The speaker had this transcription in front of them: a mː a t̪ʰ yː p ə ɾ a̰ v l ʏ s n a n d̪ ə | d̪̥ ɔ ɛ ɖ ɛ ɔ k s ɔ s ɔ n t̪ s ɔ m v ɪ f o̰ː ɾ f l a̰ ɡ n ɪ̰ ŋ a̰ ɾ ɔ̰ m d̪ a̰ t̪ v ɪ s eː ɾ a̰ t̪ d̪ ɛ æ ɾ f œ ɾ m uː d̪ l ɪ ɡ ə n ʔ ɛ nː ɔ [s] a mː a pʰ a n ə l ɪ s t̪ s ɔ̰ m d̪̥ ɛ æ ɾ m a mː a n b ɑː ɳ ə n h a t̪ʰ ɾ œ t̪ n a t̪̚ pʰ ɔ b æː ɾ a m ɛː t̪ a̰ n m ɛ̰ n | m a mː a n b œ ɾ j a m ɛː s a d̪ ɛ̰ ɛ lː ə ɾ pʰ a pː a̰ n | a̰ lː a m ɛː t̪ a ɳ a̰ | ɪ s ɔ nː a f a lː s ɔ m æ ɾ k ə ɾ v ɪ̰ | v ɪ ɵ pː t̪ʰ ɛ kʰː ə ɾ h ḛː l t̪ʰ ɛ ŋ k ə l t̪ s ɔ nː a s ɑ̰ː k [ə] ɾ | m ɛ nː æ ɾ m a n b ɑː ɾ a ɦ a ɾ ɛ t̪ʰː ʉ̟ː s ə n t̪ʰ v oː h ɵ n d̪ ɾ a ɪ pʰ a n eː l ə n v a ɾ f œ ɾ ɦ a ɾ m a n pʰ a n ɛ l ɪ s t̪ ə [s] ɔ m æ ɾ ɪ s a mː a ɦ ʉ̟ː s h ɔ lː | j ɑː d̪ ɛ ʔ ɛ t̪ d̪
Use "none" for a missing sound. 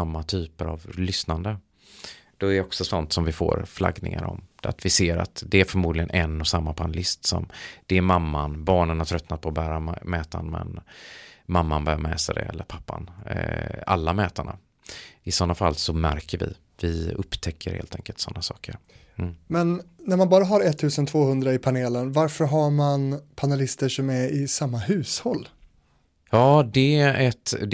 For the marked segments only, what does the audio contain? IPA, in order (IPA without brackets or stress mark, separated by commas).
s, ə, ʂ